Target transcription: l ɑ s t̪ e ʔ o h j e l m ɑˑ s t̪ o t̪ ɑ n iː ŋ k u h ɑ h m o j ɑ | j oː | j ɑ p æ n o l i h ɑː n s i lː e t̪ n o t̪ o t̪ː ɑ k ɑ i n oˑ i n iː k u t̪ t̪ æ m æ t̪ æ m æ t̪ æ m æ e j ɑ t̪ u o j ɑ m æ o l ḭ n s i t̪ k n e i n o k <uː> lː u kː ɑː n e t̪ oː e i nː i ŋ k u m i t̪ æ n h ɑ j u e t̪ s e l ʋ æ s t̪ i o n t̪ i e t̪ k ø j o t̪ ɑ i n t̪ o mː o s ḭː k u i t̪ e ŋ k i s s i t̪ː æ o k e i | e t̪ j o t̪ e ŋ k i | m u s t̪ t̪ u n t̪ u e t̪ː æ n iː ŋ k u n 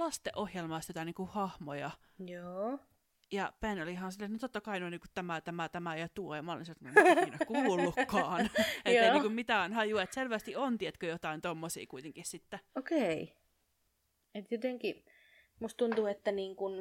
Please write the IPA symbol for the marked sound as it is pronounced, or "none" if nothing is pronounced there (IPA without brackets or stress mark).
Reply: uː